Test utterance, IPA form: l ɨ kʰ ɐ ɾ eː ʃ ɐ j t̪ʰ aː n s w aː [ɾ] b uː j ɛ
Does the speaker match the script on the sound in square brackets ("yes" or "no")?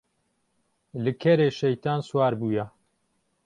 yes